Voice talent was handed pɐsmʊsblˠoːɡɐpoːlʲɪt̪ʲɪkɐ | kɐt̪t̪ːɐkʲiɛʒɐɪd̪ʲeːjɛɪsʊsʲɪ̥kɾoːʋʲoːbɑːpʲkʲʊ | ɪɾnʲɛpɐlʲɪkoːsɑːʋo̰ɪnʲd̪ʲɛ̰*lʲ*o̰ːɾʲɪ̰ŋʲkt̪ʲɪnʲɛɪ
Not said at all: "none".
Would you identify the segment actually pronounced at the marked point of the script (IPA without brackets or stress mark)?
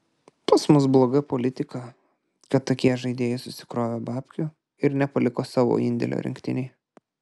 lʲ